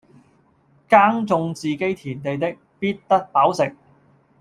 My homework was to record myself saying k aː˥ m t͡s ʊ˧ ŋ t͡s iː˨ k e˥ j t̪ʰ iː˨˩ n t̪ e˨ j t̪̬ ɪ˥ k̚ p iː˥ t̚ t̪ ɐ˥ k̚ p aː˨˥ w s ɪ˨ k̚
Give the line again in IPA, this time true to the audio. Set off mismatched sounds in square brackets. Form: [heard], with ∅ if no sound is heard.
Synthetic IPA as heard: k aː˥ [ŋ] t͡s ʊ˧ ŋ t͡s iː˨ k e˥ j t̪ʰ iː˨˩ n t̪ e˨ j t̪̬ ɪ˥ k̚ p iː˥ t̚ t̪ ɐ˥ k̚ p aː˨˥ w s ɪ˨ k̚